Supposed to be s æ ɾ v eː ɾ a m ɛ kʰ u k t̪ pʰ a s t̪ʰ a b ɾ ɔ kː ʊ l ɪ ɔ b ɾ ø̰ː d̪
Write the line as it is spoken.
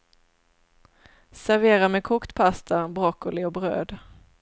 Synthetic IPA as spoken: s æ ɾ v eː ɾ a m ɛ kʰ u k t̪ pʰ a s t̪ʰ a b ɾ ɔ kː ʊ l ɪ ɔ b ɾ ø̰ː d̪